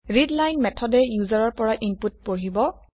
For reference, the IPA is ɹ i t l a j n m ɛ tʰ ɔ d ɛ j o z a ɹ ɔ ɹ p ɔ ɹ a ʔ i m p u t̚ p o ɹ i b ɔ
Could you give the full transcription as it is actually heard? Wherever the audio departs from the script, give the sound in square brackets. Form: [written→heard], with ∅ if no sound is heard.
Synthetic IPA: ɹ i [t→d] l a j n m ɛ tʰ ɔ d ɛ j [o→u] z a ɹ ɔ ɹ p ɔ ɹ a ʔ i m p u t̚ p o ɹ i b ɔ